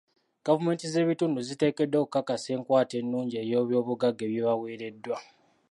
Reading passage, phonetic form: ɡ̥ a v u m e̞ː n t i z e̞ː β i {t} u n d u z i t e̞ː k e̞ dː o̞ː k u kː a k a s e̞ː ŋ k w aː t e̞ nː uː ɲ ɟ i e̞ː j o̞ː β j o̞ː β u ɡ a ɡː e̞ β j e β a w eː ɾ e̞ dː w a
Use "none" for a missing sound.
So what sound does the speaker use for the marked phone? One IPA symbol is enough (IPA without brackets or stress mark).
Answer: t